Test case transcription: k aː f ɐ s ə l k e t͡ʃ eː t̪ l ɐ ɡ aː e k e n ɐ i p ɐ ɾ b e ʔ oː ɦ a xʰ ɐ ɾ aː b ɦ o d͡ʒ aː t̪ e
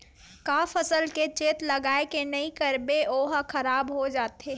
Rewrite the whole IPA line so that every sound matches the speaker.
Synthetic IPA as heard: k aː f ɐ s ə l k e t͡ʃ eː t̪ l ɐ ɡ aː e k e n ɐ i k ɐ ɾ b e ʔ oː ɦ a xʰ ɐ ɾ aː b ɦ o d͡ʒ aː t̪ e